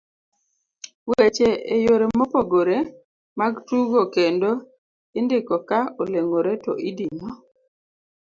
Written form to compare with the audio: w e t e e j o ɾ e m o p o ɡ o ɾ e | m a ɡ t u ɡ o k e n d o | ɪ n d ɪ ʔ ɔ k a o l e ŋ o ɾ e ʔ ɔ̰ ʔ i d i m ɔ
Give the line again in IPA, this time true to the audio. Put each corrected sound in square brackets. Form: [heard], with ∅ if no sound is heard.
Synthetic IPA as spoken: w e [t͡ʃ] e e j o ɾ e m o p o ɡ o ɾ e | m a ɡ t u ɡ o k e n d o | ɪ n d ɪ [k] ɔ k a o l e ŋ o ɾ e [t] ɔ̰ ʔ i d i [ɲ] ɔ